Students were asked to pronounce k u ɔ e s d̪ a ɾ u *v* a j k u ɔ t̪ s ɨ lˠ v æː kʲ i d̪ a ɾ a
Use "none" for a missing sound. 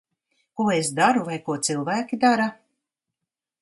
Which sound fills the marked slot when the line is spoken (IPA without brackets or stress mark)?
v